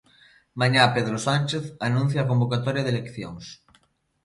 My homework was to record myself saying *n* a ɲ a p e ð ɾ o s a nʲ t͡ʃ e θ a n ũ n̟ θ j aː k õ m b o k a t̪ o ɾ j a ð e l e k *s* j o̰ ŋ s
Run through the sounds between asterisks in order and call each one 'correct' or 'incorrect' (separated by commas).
incorrect, incorrect